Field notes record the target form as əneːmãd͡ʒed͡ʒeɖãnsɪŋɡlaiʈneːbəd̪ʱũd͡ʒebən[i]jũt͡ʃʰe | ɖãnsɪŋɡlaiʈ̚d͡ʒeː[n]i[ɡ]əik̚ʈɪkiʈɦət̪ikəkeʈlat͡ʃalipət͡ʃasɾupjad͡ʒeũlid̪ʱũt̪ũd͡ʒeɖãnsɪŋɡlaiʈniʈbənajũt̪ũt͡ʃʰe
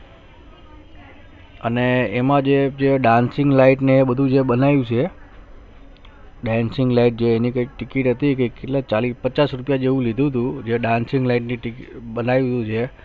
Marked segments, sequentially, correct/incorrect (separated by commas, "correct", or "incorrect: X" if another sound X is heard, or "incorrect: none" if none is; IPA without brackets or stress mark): incorrect: a, correct, incorrect: k